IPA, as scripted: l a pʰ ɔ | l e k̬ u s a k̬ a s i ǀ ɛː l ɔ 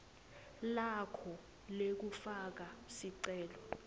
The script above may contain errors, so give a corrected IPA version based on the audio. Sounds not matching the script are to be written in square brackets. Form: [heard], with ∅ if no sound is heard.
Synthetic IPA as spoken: l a [kʰ] ɔ | l e k̬ u [f] a k̬ a s i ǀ ɛː l ɔ